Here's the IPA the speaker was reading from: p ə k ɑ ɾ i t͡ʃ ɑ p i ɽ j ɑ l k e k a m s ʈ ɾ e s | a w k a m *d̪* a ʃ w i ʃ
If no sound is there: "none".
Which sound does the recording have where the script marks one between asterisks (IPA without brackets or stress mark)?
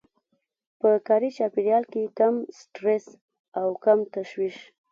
t̪